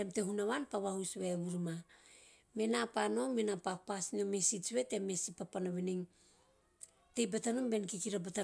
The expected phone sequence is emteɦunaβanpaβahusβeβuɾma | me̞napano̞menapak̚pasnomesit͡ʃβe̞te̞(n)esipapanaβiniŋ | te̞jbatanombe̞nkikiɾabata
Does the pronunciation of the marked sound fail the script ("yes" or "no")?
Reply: yes